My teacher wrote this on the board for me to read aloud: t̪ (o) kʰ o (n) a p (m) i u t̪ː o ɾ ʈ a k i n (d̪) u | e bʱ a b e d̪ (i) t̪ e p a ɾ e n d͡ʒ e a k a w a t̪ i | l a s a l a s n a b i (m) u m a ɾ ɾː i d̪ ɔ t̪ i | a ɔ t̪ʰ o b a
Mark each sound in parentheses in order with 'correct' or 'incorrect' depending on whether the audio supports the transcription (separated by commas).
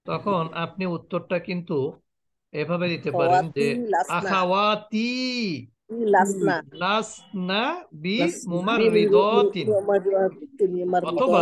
incorrect, correct, incorrect, incorrect, correct, correct